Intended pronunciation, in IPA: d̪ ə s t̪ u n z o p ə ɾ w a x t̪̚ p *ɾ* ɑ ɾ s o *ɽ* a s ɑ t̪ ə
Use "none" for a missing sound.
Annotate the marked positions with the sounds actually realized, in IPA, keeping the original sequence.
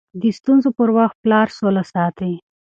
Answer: l, l

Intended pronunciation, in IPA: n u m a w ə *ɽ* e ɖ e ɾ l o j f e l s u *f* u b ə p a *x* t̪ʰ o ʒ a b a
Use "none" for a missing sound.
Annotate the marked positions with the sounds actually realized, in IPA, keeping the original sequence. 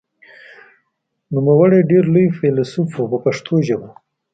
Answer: ɽ, f, ʂ

